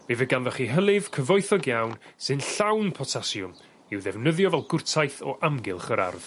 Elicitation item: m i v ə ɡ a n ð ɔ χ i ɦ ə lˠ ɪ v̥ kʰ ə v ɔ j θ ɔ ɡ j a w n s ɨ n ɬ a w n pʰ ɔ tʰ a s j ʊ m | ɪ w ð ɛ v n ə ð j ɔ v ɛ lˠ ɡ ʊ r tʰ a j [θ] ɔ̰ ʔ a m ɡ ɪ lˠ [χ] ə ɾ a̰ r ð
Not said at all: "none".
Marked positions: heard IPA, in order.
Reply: θ, χ

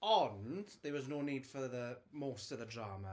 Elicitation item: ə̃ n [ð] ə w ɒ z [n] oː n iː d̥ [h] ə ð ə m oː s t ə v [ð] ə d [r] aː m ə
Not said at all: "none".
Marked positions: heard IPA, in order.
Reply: ð, n, f, ð, ɹ

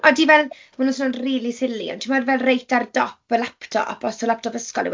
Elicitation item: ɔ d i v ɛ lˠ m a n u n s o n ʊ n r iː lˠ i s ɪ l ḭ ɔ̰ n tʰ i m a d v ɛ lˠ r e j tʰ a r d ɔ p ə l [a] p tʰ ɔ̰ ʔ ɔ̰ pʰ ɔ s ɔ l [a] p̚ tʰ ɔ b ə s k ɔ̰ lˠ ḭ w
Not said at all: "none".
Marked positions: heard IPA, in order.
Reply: a, a

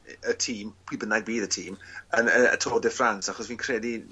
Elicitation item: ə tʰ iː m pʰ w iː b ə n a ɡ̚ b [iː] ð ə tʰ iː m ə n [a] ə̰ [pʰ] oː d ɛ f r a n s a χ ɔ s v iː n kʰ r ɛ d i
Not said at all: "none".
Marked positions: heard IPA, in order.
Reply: iː, ə, tʰ

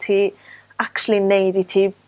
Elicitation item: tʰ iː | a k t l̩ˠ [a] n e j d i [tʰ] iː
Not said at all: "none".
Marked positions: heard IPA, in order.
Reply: i, tʰ

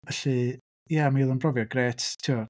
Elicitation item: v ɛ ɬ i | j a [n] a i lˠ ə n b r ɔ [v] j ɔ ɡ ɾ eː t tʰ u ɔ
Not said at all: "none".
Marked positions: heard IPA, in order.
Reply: m, v

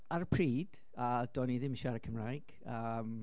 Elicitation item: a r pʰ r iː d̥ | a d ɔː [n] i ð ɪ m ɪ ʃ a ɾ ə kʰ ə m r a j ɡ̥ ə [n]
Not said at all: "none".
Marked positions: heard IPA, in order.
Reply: n, m

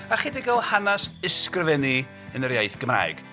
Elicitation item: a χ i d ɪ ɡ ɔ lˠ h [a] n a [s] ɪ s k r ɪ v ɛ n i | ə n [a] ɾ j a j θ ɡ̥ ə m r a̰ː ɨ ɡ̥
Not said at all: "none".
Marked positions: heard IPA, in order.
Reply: a, s, ə

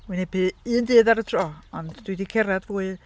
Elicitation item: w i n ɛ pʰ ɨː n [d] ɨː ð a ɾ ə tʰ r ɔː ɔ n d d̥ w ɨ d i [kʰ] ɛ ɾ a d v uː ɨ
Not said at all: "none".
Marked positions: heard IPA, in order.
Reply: d, kʰ

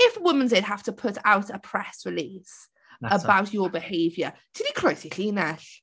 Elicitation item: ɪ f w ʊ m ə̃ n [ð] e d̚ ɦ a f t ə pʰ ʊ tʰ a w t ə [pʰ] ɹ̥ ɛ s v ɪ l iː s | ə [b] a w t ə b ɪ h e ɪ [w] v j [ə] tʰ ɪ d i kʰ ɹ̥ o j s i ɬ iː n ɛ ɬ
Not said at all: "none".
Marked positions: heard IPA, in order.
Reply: z, pʰ, b, none, ə

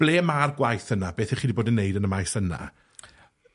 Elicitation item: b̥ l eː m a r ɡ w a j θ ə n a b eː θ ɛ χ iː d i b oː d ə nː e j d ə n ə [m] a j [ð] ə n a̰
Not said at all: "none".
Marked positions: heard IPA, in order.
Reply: m, θ

